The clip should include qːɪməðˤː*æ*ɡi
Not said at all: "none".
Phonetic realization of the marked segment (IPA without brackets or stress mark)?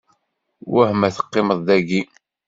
æ